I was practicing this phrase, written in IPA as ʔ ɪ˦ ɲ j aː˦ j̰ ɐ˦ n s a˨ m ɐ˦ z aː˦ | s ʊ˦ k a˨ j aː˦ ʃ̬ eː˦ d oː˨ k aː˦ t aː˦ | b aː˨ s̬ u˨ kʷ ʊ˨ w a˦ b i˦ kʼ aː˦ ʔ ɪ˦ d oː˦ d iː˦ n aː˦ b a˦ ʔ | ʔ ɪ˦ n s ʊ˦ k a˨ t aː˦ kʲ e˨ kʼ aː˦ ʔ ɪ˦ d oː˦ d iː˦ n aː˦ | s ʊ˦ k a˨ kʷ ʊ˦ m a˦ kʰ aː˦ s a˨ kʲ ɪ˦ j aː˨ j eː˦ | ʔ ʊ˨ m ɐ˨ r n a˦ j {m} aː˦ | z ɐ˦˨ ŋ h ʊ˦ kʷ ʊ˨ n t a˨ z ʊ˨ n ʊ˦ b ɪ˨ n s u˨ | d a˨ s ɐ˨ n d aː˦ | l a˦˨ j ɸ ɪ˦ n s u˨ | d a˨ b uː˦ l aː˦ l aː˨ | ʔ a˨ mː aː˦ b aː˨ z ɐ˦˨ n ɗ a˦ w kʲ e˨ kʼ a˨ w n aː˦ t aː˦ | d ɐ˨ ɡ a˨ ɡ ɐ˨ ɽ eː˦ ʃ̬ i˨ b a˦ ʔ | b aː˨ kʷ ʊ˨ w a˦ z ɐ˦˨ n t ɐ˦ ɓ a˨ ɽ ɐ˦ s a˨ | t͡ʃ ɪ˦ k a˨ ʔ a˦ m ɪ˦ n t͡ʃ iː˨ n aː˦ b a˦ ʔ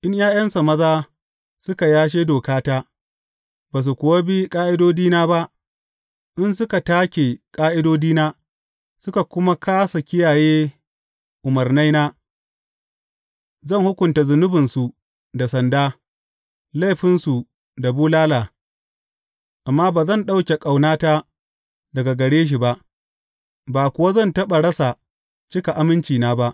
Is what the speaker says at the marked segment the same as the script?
no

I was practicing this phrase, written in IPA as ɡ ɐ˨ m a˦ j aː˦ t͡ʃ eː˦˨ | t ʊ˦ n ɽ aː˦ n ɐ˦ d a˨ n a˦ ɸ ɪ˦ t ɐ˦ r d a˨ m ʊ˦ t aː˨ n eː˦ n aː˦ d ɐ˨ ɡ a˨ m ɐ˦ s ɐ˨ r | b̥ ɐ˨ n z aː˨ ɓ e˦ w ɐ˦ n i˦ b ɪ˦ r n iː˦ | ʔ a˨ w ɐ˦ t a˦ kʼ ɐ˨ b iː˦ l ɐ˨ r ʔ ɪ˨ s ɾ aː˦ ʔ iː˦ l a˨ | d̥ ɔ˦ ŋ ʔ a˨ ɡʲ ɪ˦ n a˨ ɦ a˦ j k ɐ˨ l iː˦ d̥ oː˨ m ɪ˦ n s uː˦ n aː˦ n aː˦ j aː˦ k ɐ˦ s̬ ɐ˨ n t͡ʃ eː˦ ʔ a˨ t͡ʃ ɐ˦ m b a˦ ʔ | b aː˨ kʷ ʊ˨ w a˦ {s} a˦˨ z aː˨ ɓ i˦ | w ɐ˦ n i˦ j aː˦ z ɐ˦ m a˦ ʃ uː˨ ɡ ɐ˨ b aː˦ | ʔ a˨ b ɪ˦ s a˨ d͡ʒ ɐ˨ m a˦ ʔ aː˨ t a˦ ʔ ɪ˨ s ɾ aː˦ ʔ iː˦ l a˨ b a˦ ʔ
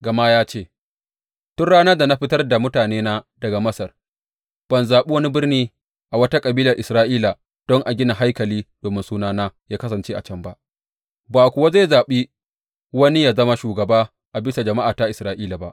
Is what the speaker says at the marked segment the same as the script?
no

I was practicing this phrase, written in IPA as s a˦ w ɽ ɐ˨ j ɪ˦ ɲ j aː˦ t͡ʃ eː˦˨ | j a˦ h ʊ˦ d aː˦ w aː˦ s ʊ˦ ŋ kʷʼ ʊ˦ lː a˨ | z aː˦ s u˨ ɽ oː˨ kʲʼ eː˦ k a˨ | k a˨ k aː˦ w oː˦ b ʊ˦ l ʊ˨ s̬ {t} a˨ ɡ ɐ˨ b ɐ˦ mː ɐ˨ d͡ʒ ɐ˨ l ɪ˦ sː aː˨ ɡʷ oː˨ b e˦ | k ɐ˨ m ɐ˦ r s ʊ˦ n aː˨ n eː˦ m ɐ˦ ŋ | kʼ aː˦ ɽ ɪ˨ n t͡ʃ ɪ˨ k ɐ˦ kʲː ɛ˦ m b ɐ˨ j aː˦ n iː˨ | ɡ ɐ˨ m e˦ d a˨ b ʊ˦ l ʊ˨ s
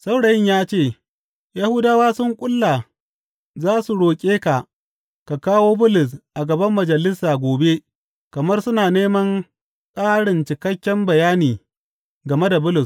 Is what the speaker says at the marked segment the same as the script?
no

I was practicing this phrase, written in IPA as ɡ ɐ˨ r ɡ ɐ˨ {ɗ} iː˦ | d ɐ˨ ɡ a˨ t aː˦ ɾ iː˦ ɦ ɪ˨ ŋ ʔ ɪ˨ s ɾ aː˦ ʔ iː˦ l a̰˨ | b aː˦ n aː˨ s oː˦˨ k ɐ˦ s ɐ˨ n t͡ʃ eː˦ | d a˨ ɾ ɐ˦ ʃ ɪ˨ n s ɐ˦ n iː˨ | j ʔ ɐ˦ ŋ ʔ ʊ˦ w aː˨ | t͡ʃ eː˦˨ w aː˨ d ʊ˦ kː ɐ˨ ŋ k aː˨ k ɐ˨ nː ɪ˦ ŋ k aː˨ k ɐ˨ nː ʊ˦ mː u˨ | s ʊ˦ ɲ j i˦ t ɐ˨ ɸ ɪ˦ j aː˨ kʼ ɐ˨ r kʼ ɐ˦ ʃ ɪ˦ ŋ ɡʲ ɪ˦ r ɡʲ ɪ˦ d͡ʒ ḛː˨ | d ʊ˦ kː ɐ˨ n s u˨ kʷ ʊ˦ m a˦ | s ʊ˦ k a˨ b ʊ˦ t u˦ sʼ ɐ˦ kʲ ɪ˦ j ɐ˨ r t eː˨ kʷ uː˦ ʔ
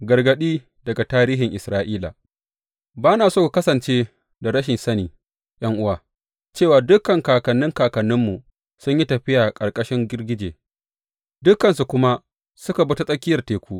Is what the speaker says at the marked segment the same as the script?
yes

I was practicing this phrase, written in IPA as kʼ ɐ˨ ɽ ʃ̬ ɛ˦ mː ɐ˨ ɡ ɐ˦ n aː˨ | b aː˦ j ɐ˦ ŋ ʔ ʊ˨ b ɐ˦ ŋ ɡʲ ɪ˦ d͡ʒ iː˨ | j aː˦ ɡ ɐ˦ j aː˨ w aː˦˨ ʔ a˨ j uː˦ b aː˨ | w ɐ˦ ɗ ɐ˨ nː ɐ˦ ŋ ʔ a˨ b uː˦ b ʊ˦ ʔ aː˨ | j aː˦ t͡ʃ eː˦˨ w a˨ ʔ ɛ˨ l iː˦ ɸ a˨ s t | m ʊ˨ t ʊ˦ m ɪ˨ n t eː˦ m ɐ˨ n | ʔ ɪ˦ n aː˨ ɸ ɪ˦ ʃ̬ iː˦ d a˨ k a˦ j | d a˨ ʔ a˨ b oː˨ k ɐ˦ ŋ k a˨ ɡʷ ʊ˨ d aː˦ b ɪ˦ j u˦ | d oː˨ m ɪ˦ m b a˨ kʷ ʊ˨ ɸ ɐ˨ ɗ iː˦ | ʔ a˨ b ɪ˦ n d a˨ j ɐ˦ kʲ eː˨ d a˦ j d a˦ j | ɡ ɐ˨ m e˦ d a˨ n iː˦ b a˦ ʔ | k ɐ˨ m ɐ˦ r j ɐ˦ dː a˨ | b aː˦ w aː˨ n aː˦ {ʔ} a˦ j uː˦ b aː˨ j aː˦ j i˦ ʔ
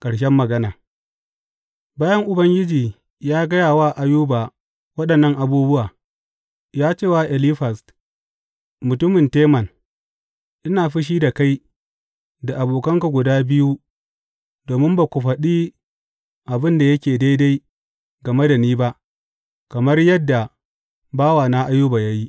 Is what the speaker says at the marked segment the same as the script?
yes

